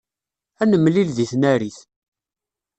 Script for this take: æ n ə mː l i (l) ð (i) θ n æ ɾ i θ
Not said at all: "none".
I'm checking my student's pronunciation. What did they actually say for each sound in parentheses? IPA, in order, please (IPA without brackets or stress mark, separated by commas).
l, i